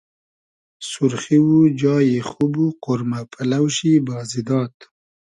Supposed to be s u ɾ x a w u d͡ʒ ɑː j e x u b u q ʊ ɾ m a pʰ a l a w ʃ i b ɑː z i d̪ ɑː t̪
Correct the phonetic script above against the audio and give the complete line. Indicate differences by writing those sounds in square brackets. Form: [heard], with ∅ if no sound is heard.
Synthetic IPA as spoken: s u ɾ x [i] w u d͡ʒ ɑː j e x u b u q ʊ ɾ m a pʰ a l a w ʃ i b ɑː z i d̪ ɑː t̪